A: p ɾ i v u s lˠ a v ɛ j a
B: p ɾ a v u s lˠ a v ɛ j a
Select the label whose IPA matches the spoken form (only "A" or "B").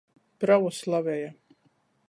B